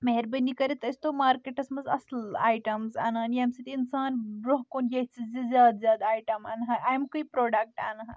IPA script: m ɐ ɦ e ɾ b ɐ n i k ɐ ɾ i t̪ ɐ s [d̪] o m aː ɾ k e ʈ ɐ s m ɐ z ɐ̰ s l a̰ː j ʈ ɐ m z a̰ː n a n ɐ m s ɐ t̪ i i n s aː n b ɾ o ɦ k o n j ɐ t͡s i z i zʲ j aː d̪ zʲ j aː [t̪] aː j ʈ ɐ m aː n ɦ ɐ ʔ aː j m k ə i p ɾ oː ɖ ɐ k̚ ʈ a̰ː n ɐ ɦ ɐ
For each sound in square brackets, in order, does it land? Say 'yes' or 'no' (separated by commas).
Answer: no, no